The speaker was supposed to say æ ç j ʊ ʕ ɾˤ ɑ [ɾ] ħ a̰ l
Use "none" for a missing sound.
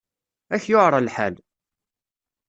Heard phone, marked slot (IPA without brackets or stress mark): l